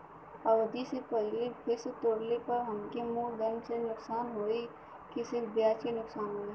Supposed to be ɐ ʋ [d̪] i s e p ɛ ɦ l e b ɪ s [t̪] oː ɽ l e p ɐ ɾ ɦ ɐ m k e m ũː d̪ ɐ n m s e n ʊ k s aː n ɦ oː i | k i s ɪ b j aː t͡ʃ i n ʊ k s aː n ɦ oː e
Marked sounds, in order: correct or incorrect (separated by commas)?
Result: correct, correct